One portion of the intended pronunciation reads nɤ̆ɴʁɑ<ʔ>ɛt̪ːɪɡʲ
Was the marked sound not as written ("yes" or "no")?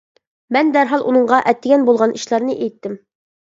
no